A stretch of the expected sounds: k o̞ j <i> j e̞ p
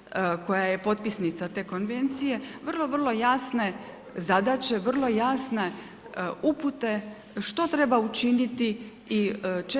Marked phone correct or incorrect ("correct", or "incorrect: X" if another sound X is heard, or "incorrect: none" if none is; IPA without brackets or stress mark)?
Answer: incorrect: a